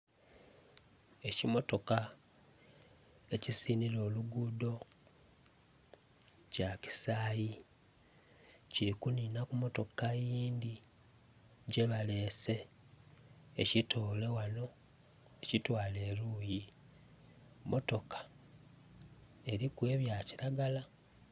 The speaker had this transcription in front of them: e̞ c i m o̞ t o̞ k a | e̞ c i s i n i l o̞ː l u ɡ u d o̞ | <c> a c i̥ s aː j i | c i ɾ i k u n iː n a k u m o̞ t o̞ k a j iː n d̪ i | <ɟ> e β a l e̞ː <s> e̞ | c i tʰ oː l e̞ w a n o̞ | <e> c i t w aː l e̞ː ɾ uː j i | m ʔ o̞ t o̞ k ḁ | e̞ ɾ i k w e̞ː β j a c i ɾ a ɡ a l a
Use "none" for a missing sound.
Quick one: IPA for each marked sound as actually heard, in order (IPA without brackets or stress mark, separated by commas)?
c, ɟ, s, e